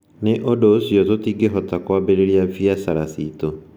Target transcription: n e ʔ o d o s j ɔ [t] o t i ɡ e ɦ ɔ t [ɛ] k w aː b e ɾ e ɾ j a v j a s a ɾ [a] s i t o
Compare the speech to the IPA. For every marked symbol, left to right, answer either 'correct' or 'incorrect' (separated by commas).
correct, incorrect, correct